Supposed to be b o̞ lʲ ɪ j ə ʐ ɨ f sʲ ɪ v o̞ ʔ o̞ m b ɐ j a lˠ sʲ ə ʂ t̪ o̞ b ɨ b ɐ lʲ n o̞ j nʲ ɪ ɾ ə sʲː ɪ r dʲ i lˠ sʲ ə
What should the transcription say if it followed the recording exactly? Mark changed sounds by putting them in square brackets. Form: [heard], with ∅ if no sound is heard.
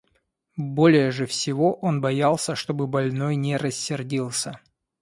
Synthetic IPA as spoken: b o̞ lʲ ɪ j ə ʐ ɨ f sʲ ɪ v o̞ ʔ o̞ [n] b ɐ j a lˠ sʲ ə ʂ t̪ o̞ b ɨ b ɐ lʲ n o̞ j nʲ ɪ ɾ ə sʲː ɪ r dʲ i lˠ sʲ ə